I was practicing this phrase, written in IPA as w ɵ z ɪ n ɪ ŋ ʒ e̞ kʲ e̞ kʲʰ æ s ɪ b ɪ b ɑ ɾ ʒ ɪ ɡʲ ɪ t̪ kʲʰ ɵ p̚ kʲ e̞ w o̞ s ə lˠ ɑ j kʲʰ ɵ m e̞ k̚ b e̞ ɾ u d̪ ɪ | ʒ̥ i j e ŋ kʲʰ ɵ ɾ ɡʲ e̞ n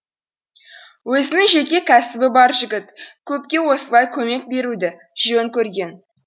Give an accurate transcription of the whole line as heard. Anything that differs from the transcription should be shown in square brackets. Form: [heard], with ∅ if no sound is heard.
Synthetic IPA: w ɵ z ɪ n ɪ ŋ ʒ e̞ kʲ e̞ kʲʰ æ s ɪ b ɪ b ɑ ɾ ʒ ɪ ɡʲ ɪ t̪ kʲʰ ɵ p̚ kʲ e̞ w o̞ s ə lˠ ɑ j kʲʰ ɵ m e̞ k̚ b e̞ ɾ u d̪ ɪ | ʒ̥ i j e ŋ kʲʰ ɵ ɾ ɡʲ e̞ n